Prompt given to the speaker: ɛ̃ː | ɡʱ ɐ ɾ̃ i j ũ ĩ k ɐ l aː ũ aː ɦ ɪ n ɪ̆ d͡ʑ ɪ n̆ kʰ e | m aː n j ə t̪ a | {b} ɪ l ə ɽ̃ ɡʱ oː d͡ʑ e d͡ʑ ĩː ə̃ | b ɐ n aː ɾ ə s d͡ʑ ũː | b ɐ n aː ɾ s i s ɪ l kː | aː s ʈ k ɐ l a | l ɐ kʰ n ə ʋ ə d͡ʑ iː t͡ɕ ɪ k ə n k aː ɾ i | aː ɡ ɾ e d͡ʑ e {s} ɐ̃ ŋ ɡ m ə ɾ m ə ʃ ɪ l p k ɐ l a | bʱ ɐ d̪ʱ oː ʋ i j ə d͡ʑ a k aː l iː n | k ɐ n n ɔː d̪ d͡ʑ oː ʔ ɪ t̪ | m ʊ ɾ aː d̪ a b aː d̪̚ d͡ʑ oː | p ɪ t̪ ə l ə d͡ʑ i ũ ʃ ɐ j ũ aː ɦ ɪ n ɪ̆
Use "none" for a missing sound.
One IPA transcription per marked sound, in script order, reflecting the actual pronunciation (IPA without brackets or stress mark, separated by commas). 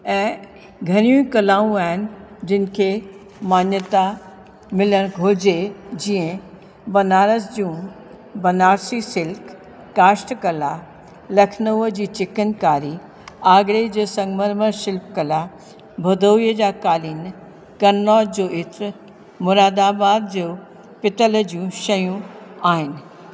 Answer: m, s